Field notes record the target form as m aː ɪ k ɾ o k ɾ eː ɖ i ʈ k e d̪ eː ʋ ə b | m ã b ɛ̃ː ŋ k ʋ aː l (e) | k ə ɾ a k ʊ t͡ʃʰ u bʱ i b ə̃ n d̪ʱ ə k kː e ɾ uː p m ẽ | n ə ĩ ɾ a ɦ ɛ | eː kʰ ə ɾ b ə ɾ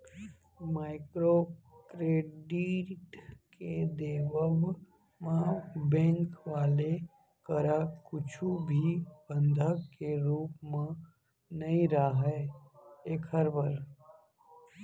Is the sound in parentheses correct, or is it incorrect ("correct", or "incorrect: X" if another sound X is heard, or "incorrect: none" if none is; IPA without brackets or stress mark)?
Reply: correct